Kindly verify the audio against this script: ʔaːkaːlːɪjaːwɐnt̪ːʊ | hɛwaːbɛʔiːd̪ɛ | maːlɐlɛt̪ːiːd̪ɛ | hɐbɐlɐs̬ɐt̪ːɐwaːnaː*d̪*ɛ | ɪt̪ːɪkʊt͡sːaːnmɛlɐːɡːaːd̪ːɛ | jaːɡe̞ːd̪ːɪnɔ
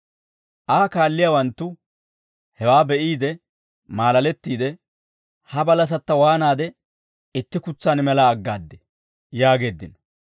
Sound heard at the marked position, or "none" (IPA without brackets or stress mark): d̪